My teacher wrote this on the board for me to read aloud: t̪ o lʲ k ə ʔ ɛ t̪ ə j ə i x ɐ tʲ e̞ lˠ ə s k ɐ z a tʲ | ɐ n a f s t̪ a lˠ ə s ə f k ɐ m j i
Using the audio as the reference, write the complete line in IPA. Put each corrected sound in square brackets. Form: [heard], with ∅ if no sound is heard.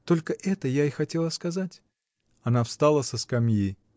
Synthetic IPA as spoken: t̪ o lʲ k ə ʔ ɛ t̪ ə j [a] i x ɐ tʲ e̞ lˠ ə s k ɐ z a tʲ | ɐ n a f s t̪ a lˠ ə s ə [s] k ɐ m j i